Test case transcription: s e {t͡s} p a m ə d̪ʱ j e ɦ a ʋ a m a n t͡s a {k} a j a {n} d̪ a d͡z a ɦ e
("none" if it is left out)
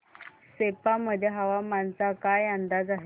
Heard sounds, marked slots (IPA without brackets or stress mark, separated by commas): none, k, n